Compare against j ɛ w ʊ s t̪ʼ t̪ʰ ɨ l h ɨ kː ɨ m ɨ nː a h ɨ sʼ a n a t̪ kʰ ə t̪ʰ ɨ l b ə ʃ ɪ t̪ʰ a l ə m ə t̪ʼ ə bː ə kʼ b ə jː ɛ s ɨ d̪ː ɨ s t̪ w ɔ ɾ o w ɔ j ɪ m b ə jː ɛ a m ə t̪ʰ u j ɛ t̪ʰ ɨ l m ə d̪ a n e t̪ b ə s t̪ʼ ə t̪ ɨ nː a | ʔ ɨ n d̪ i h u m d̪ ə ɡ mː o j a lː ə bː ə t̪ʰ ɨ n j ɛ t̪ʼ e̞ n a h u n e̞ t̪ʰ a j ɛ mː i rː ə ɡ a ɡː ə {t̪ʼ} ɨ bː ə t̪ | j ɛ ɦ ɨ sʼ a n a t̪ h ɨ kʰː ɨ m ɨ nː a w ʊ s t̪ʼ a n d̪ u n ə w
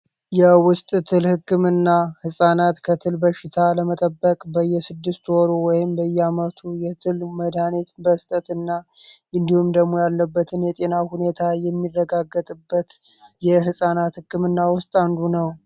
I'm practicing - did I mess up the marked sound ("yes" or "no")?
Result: no